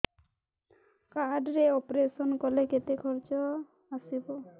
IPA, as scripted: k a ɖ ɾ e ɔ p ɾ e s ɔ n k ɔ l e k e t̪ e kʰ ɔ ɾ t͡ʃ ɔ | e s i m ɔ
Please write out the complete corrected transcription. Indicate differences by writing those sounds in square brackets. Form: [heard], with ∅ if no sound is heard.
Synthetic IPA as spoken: k a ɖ ɾ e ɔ p ɾ e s ɔ n k ɔ l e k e t̪ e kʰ ɔ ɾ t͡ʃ ɔ | [a] s i [b] ɔ